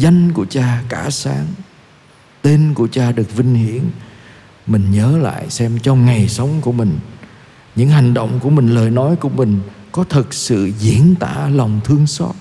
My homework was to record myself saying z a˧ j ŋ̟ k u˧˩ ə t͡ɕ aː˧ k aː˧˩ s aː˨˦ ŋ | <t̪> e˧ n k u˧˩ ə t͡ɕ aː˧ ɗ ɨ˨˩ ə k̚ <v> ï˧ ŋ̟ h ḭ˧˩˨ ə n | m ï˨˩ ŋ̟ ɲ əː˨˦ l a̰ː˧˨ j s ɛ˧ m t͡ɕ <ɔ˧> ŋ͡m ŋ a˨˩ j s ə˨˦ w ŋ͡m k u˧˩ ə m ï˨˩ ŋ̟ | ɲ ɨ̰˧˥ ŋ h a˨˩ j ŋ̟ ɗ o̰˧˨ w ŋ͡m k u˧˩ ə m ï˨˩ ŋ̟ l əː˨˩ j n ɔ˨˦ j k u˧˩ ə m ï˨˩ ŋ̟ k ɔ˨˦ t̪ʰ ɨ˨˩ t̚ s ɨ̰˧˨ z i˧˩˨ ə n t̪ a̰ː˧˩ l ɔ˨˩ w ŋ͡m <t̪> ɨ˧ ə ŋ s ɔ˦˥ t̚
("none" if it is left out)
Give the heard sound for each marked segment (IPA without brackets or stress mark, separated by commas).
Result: t̪, v, ɔ˧, t̪ʰ